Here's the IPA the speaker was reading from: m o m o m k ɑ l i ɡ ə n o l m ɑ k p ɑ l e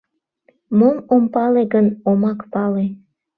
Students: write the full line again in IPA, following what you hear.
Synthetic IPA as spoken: m o m o m p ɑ l e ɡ ə n o m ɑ k p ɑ l e